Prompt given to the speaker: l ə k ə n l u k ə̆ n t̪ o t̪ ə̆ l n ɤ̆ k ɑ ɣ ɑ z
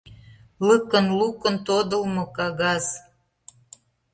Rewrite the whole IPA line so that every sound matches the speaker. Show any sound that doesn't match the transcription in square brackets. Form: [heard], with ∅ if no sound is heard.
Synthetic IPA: l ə k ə n l u k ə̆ n t̪ o [d̪] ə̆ l [m] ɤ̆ k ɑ ɣ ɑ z